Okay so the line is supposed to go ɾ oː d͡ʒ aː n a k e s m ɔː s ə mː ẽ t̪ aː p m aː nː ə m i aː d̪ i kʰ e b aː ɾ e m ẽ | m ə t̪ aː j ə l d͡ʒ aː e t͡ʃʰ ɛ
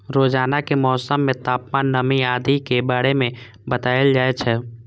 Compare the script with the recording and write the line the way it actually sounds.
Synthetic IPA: ɾ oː d͡ʒ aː n a k e m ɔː s ə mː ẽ t̪ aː p m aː nː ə m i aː d̪ i k e b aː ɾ e m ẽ | b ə t̪ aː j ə l d͡ʒ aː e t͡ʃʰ ɛ

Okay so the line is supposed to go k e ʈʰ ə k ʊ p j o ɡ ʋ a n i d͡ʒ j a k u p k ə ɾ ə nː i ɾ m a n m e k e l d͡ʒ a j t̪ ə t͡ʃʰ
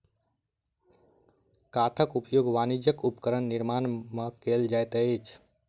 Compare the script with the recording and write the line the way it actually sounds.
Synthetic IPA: k a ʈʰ ə k u p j o ɡ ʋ a n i d͡ʒ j ə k u p k ə ɾ ə nː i ɾ m a n m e k e l d͡ʒ a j t̪ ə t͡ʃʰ

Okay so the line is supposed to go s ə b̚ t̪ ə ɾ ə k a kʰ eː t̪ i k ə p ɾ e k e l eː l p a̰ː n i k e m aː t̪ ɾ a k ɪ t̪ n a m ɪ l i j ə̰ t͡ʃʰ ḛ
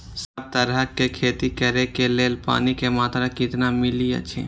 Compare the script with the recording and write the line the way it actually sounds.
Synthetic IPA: s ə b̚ t̪ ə ɾ ə k e kʰ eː t̪ i k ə ɾ e k e l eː l p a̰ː n i k e m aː t̪ ɾ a k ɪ t̪ n a m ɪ l i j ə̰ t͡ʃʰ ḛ

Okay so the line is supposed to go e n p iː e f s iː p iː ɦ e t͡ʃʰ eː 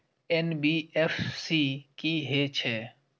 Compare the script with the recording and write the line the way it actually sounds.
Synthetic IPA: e n b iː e f s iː k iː ɦ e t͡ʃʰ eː

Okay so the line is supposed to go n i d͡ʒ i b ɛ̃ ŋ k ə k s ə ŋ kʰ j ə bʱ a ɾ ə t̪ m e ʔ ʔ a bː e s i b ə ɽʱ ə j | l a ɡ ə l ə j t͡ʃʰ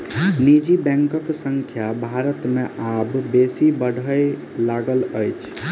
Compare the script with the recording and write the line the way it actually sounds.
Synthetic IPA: n i d͡ʒ i b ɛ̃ ŋ k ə k s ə ŋ kʰ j a bʱ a ɾ ə t̪ m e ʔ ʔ a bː e s i b ə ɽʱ ə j | l a ɡ ə l ə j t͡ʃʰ

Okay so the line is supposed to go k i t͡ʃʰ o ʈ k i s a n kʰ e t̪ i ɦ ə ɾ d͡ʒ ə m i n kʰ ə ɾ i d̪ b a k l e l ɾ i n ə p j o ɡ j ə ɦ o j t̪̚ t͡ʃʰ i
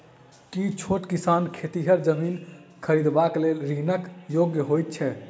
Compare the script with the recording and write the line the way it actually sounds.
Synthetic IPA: k i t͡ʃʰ o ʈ k i s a n kʰ e t̪ i ɦ ə ɾ d͡ʒ ə m i n kʰ ə ɾ i d̪ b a k l e l ɾ i n ə k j o ɡ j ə ɦ o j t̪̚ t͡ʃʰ ɛ

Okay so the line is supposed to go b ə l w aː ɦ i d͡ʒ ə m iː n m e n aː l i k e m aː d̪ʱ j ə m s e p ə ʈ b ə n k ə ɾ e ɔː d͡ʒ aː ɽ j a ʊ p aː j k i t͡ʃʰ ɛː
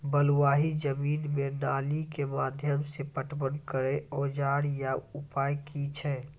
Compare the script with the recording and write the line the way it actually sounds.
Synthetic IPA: b ə l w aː ɦ i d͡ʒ ə m iː n m e n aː l i k e m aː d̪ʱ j ə m s e p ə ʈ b ə n k ə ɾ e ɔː d͡ʒ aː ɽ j a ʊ p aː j k i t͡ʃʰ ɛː

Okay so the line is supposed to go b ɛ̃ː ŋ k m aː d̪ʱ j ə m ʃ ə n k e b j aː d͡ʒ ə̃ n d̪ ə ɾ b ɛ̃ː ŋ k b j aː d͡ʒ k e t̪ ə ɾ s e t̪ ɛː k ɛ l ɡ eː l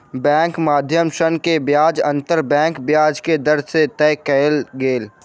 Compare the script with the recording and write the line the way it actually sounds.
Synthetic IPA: b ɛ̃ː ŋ k m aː d̪ʱ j ə m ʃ ə n k e b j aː d͡ʒ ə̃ n t̪ ə ɾ b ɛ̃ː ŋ k b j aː d͡ʒ k e d̪ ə ɾ s e t̪ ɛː k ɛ l ɡ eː l

